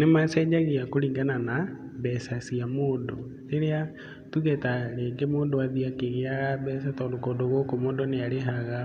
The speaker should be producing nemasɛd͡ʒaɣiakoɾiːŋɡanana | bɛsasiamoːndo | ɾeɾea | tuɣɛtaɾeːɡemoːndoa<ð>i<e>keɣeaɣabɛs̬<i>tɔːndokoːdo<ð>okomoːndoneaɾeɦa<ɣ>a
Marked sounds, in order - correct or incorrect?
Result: correct, incorrect: a, incorrect: a, incorrect: ɣ, correct

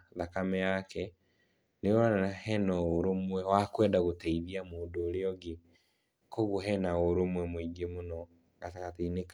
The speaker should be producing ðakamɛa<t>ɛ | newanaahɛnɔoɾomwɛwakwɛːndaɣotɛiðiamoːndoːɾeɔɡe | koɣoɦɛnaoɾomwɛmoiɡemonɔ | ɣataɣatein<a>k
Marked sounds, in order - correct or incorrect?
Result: incorrect: k, incorrect: e

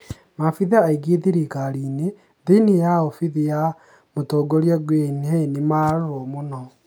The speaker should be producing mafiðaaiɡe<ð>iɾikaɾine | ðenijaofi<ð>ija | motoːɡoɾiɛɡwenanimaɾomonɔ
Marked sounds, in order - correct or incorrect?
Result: correct, correct

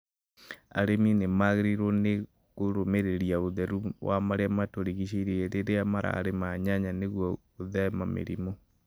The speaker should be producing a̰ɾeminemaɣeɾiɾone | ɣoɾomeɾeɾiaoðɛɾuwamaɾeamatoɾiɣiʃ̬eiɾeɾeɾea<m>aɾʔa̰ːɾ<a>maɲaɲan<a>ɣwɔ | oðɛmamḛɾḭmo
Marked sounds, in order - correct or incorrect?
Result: correct, incorrect: e, incorrect: e

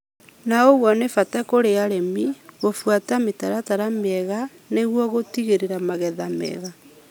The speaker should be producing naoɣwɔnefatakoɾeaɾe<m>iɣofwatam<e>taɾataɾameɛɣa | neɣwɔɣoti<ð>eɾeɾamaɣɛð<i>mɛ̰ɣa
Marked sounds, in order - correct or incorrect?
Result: correct, correct, incorrect: ɣ, incorrect: a

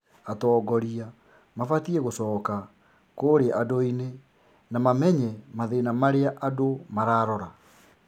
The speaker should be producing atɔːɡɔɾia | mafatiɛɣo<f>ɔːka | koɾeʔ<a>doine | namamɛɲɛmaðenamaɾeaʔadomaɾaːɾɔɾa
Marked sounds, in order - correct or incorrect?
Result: incorrect: s, correct

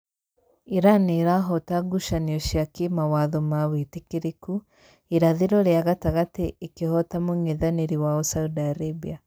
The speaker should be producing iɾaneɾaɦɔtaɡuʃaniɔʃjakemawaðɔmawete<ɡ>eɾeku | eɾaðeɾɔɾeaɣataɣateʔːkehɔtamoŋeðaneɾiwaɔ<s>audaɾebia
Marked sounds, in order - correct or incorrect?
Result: incorrect: k, correct

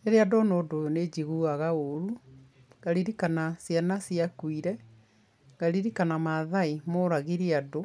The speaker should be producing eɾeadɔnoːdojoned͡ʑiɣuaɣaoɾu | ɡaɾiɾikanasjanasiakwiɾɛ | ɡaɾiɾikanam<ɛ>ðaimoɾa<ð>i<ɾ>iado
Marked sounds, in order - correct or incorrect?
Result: incorrect: a, incorrect: ɣ, correct

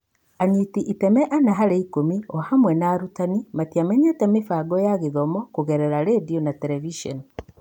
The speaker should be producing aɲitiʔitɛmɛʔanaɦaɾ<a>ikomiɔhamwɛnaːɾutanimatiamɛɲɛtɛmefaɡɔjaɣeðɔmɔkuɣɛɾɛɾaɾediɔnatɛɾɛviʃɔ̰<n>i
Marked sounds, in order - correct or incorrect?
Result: incorrect: e, correct

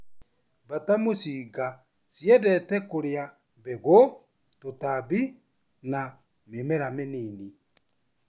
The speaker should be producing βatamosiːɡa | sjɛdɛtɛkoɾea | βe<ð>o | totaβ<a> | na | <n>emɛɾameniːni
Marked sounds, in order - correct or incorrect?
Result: incorrect: ɣ, incorrect: i, incorrect: m

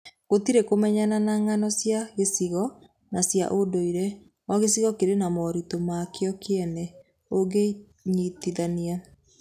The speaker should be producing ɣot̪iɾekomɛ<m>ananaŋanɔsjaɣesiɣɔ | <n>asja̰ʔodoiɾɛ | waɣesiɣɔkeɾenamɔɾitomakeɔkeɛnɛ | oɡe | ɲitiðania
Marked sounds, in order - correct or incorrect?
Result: incorrect: ɲ, correct

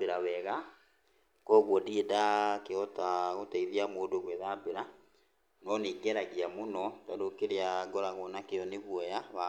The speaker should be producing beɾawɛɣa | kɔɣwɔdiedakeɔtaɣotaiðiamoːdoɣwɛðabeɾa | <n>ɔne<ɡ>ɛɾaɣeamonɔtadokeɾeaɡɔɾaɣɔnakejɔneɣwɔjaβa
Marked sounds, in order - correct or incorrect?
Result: correct, correct

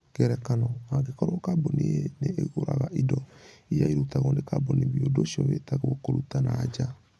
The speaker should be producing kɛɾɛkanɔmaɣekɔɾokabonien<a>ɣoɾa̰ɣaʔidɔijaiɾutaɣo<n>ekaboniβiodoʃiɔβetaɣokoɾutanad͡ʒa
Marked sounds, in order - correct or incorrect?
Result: incorrect: e, correct

